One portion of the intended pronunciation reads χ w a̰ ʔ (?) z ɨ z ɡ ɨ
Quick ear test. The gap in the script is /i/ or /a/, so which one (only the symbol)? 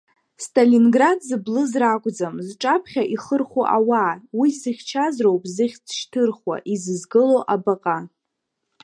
i